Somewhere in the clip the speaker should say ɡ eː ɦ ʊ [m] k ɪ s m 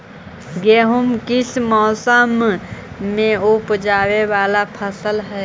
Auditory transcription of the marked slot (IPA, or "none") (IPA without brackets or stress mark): m